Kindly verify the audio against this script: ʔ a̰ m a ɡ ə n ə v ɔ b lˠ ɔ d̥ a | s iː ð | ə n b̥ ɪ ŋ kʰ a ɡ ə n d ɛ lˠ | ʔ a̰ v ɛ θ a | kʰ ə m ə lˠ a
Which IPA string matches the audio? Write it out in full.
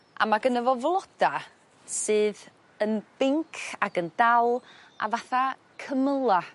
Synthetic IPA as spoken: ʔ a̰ m a ɡ ə n ə v ɔ v lˠ ɔ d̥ a | s ɨː ð | ə n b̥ ɪ ŋ kʰ a ɡ ə n d a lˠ | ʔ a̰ v a θ a | kʰ ə m ə lˠ a

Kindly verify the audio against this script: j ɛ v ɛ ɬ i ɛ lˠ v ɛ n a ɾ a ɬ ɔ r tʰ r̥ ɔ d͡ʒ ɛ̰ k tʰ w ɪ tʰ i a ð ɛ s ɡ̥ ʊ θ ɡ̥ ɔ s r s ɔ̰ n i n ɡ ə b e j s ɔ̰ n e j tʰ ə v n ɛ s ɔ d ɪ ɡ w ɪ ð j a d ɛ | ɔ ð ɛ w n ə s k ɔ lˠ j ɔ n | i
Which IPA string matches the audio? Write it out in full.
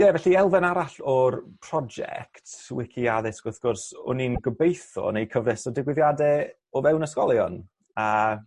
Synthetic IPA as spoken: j ɛ v ɛ ɬ i ɛ lˠ v ɛ n a ɾ a ɬ ɔ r pʰ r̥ ɔ d͡ʒ ɛ̰ k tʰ w ɪ kʰ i a ð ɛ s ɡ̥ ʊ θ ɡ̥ ɔ r s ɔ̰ n i n ɡ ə b e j θ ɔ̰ n e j kʰ ə v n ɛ s ɔ d ɪ ɡ w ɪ ð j a d ɛ | ɔ v ɛ w n ə s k ɔ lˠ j ɔ n | a

